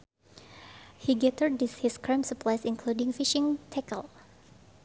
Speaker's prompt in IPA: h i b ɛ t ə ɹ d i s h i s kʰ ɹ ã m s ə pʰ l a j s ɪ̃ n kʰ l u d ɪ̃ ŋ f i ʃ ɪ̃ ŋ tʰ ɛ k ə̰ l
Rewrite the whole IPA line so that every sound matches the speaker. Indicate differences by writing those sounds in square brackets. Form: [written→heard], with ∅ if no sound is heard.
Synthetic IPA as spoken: h i [b→ɡ] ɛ t ə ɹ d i s h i s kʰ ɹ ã m s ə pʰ l a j s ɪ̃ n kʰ l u d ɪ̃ ŋ f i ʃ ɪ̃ ŋ tʰ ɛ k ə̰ l